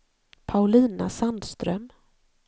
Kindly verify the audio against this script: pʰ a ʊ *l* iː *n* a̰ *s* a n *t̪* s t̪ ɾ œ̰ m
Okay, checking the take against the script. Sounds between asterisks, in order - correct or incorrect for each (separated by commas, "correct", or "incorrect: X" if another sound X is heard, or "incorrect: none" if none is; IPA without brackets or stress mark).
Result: correct, correct, correct, incorrect: d̪